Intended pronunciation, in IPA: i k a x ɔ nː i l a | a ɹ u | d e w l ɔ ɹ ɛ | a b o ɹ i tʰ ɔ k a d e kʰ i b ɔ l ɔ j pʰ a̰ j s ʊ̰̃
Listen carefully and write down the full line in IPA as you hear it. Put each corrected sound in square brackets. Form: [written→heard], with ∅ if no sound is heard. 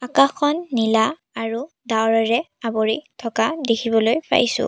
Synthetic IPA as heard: [i→a] k a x ɔ nː i l a | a ɹ u | d [e→a] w [l→ɹ] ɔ ɹ ɛ | a b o ɹ i tʰ ɔ k a d e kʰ i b ɔ l [ɔ→o] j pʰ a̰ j s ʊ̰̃